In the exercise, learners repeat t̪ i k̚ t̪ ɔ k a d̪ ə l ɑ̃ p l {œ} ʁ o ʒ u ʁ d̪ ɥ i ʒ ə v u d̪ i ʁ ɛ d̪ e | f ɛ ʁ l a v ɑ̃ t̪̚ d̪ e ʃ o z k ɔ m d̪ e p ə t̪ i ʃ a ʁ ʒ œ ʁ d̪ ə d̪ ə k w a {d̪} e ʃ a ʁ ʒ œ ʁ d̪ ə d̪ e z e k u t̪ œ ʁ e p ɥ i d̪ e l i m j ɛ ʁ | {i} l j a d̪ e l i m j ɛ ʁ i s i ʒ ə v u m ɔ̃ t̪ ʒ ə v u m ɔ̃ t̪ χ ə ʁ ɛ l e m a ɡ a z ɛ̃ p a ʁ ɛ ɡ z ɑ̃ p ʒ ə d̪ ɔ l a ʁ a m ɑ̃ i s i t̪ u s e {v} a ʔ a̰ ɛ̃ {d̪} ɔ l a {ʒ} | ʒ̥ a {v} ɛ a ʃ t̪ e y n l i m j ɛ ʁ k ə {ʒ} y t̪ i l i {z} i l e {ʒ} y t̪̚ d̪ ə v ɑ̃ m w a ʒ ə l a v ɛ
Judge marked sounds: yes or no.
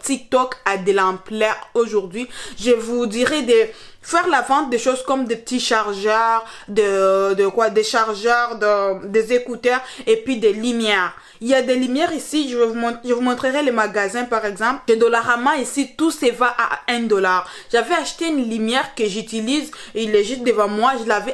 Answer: no, yes, yes, yes, yes, no, yes, yes, yes, yes

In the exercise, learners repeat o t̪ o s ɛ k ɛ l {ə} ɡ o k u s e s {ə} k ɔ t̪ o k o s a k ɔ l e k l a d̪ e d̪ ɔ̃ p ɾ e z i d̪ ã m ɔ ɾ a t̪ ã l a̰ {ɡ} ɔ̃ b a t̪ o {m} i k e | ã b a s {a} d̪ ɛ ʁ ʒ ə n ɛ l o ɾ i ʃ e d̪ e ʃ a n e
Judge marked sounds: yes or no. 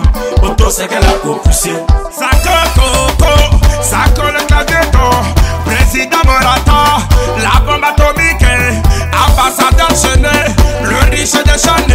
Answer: no, no, no, yes, yes

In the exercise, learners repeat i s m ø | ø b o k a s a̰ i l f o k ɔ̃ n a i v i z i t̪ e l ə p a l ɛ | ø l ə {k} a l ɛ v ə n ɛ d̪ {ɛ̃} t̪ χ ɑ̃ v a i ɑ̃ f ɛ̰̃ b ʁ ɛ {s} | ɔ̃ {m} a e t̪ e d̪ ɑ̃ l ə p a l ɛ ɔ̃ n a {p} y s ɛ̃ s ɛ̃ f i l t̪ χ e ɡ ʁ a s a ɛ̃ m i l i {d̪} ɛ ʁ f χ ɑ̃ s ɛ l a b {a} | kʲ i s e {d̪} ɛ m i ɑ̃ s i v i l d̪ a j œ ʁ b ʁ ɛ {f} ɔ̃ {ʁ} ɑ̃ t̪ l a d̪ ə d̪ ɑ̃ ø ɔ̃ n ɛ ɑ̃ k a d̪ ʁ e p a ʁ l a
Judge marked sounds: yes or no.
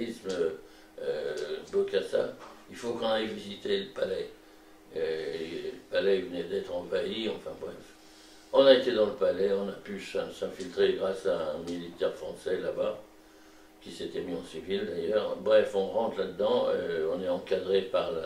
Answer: no, no, no, no, yes, no, yes, no, yes, yes

